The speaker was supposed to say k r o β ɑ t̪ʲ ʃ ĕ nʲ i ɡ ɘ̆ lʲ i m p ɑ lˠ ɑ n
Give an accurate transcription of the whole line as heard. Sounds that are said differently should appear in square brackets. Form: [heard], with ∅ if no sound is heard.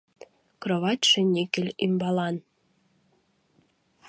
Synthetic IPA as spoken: k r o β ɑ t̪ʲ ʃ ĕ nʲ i [k] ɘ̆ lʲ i m [b] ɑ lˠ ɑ n